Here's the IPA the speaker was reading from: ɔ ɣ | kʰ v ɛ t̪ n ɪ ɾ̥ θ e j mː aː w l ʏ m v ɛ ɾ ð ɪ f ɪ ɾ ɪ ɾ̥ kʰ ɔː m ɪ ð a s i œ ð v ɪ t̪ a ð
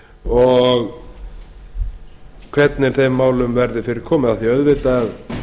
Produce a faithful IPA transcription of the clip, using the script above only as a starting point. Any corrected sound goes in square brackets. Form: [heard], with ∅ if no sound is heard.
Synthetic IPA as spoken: ɔ ɣ | kʰ v ɛ t̪ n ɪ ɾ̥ θ e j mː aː w l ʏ m v ɛ ɾ ð ɪ f ɪ ɾ ɪ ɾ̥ kʰ ɔː m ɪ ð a [θ] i œ ð v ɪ t̪ a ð